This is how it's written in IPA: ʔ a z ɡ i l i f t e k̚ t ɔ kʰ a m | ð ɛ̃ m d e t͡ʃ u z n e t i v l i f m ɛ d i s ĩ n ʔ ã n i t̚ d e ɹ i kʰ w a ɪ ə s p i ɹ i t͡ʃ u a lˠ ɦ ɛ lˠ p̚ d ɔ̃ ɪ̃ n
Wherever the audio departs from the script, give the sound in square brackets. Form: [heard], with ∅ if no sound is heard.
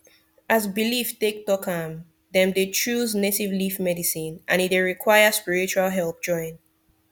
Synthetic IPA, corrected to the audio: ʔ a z [b] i l i f t e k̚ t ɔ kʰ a m | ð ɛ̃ m d e t͡ʃ u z n e t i v l i f m ɛ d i s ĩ n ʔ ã n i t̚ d e ɹ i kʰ w a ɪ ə s p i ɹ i t͡ʃ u a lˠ ɦ ɛ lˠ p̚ [d͡ʒ] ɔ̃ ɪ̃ n